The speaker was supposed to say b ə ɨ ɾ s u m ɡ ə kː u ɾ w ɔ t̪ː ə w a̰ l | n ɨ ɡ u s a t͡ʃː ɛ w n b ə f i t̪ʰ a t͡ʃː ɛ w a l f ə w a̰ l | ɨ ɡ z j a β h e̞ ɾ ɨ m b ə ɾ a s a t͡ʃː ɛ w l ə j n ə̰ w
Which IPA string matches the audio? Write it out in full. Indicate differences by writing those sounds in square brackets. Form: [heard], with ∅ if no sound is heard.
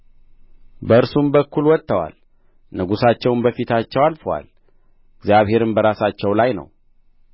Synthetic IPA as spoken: b ə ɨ ɾ s u m [b] ə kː u [l] w ɔ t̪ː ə w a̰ l | n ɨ ɡ u s a t͡ʃː ɛ w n b ə f i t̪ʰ a t͡ʃː ɛ w a l f ə w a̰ l | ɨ ɡ z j a β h e̞ ɾ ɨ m b ə ɾ a s a t͡ʃː ɛ w l [a] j n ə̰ w